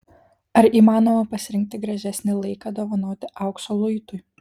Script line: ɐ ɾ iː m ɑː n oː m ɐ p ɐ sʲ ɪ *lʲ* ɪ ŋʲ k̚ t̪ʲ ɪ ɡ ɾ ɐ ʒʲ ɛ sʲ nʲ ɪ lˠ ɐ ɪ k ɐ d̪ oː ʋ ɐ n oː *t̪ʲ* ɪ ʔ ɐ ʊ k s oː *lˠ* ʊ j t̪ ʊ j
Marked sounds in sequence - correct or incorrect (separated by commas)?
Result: incorrect, correct, correct